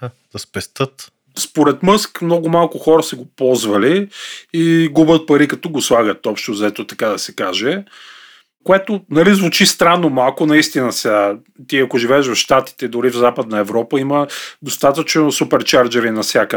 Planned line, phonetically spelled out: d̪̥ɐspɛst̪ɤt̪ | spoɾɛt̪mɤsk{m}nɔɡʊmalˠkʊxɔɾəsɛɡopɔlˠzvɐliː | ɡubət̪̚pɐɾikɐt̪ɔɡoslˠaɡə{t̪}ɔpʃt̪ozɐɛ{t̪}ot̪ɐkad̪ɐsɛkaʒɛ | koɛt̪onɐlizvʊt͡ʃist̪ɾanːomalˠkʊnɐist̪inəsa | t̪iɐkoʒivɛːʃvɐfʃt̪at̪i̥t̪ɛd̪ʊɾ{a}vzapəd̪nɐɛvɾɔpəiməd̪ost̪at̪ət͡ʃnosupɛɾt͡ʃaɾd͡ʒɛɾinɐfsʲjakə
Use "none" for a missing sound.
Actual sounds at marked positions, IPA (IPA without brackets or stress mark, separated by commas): m, t̪, t̪, i